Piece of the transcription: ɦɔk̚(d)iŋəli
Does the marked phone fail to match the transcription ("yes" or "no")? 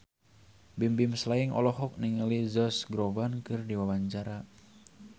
yes